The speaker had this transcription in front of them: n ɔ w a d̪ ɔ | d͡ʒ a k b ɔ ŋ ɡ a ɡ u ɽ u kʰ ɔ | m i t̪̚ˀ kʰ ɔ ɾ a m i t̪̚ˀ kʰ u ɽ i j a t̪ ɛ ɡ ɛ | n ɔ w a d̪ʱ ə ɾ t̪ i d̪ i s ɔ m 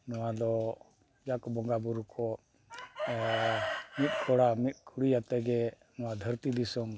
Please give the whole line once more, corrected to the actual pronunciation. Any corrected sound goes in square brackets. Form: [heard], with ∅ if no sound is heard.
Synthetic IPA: n ɔ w a d̪ ɔ | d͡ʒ a k b ɔ ŋ ɡ a [b] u [ɾ] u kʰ ɔ | m i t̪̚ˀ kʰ ɔ [ɽ] a m i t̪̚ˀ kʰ u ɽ i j a t̪ ɛ ɡ ɛ | n ɔ w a d̪ʱ ə ɾ t̪ i d̪ i s ɔ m